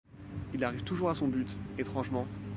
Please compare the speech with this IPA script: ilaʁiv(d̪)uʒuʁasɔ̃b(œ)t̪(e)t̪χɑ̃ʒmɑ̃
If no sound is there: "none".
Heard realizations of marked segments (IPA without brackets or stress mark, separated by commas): t̪, y, e